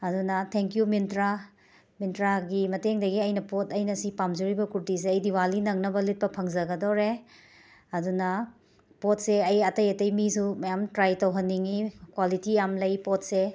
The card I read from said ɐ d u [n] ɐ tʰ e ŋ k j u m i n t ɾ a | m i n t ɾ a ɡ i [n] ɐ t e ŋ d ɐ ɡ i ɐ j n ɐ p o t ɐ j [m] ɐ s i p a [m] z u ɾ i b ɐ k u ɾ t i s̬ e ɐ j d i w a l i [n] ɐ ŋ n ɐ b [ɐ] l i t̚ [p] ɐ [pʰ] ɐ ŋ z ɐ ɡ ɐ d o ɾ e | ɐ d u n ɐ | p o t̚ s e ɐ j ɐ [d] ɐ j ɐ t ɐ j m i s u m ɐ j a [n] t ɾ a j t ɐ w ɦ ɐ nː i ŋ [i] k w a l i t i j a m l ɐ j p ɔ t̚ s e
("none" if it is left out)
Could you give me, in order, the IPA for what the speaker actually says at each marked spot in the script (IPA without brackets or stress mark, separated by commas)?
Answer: n, m, n, m, n, ɐ, p, pʰ, t, m, i